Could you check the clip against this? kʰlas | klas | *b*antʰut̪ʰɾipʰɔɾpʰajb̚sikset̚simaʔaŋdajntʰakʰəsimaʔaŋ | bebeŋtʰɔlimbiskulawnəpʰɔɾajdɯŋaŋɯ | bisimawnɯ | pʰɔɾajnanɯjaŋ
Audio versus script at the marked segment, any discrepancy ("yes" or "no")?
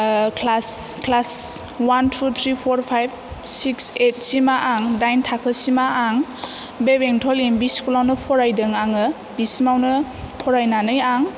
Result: yes